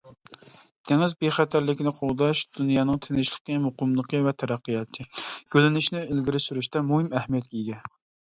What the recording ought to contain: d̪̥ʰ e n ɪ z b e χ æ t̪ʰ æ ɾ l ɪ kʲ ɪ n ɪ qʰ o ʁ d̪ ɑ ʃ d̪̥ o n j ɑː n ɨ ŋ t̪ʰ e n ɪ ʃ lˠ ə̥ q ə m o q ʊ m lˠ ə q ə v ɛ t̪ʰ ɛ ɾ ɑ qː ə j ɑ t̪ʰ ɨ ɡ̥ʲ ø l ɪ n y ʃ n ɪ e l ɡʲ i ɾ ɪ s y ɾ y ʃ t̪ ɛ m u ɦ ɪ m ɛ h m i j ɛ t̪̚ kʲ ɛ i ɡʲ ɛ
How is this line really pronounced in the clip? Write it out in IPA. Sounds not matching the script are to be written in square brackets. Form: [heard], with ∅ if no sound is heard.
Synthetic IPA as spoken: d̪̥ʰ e [ŋ] ɪ z b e χ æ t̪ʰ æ ɾ l ɪ kʲ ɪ n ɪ qʰ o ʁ d̪ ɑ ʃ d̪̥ [u] n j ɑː n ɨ ŋ t̪ʰ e n ɪ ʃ lˠ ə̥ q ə m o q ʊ m lˠ ə q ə v ɛ t̪ʰ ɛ ɾ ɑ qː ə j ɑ t̪ʰ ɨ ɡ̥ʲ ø l ɪ n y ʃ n ɪ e l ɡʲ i ɾ ɪ s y ɾ y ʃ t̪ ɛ m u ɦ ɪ m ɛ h m i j ɛ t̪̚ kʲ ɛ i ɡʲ ɛ